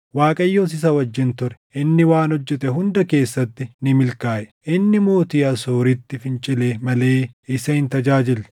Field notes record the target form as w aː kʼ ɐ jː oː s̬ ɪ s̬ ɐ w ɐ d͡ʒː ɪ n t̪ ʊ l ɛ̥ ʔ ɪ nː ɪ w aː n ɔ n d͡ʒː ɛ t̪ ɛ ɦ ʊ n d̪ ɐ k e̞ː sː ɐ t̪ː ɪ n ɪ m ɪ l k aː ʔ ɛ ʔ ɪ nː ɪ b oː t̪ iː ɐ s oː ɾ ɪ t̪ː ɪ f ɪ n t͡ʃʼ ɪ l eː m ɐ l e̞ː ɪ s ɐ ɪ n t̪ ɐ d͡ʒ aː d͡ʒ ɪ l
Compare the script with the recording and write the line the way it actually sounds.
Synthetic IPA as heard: w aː kʼ ɐ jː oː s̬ ɪ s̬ ɐ w ɐ d͡ʒː ɪ n t̪ ʊ ɾ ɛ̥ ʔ ɪ nː ɪ w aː n ɔ d͡ʒː ɛ t̪ ɛ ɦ ʊ n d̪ ɐ k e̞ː sː ɐ t̪ː ɪ n ɪ m ɪ l k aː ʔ ɛ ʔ ɪ nː ɪ m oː t̪ iː ɐ s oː ɾ ɪ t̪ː ɪ f ɪ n t͡ʃʼ ɪ l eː m ɐ l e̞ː ɪ s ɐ ɪ n t̪ ɐ d͡ʒ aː d͡ʒ ɪ l

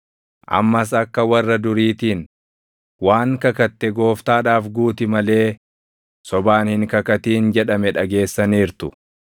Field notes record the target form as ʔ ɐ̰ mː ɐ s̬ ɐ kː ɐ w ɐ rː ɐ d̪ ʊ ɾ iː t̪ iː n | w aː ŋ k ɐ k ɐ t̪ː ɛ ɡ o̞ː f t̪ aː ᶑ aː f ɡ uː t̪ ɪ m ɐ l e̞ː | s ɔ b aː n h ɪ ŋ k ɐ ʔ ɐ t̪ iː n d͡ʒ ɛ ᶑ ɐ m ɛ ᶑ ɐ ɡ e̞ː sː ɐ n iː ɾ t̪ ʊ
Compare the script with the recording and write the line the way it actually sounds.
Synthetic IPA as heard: ʔ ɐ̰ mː ɐ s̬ ɐ kː ɐ w ɐ rː ɐ d̪ ʊ ɾ iː t̪ iː n | w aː ŋ k ɐ k ɐ t̪ː ɛ ɡ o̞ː f t̪ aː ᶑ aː f ɡ uː t̪ ɪ m ɐ l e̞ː | s ɔ b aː n h ɪ ŋ k ɐ k ɐ t̪ iː n d͡ʒ ɛ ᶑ ɐ m ɛ ᶑ ɐ ɡ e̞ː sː ɐ n iː ɾ t̪ ʊ

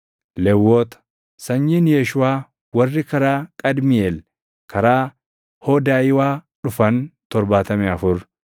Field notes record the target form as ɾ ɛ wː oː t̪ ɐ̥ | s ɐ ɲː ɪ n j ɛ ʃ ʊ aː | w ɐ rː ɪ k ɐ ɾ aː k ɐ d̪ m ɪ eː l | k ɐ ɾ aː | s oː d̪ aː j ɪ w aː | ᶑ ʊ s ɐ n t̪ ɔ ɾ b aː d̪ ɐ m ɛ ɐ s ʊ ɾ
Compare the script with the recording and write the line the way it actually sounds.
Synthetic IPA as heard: l ɛ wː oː t̪ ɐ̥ | s ɐ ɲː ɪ n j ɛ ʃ ʊ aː | w ɐ rː ɪ k ɐ ɾ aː kʼ ɐ d̪ m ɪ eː l | k ɐ ɾ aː | h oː d̪ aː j ɪ w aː | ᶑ ʊ f ɐ n t̪ ɔ ɾ b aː t̪ ɐ m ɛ ɐ f ʊ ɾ

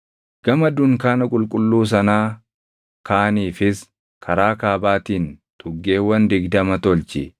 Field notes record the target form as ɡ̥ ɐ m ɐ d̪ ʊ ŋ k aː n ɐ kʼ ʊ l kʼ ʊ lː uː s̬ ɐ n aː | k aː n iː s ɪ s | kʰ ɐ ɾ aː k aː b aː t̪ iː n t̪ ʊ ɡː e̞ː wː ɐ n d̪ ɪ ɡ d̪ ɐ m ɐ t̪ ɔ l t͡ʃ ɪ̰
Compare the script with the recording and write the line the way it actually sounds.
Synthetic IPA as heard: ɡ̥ ɐ m ɐ d̪ ʊ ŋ k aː n ɐ kʼ ʊ l kʼ ʊ lː uː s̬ ɐ n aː | k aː n iː f ɪ s | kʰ ɐ ɾ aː k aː b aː t̪ iː n t̪ʼ ʊ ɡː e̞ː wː ɐ n d̪ ɪ ɡ d̪ ɐ m ɐ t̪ ɔ l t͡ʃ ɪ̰

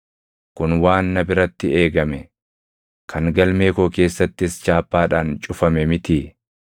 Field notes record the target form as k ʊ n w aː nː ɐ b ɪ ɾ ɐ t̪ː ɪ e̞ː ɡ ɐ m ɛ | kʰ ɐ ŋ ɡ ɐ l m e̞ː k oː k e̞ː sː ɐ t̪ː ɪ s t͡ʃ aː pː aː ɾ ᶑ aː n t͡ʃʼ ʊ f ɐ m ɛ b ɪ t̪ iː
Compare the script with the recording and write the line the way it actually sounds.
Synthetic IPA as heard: k ʊ n w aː nː ɐ b ɪ ɾ ɐ t̪ː ɪ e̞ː ɡ ɐ m ɛ | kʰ ɐ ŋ ɡ ɐ l m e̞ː k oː k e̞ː sː ɐ t̪ː ɪ s t͡ʃ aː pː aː ᶑ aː n t͡ʃʼ ʊ f ɐ m ɛ m ɪ t̪ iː

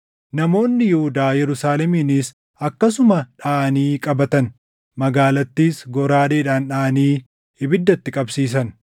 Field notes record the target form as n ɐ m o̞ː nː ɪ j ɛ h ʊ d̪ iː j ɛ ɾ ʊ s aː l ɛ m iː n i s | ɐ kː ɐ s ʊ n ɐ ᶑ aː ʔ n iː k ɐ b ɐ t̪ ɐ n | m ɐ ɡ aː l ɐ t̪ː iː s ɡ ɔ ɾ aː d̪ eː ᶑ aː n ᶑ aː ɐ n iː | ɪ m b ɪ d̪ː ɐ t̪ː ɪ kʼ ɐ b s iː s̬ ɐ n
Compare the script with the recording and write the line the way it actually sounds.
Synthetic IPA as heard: n ɐ m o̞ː nː ɪ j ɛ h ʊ d̪ aː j ɛ ɾ ʊ s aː l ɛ m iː n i s | ɐ kː ɐ s ʊ m ɐ ᶑ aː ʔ n iː kʼ ɐ b ɐ t̪ ɐ n | m ɐ ɡ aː l ɐ t̪ː iː s ɡ ɔ ɾ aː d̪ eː ᶑ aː n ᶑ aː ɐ n iː | ɪ b ɪ d̪ː ɐ t̪ː ɪ kʼ ɐ b s iː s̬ ɐ n

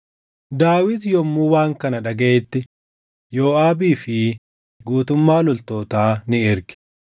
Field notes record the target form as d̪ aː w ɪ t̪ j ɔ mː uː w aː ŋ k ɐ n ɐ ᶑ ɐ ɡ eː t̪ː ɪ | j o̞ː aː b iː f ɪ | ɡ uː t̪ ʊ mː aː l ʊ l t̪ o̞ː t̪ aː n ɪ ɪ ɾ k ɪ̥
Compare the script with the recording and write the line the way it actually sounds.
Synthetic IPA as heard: d̪ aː w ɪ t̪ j ɔ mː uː w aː ŋ k ɐ n ɐ ᶑ ɐ ɡ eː t̪ː ɪ | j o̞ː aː b iː f ɪ | ɡ uː t̪ ʊ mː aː l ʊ l t̪ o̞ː t̪ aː n ɪ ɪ ɾ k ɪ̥

